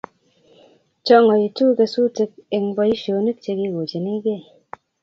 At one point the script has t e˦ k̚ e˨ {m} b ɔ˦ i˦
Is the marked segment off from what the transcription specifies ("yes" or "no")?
yes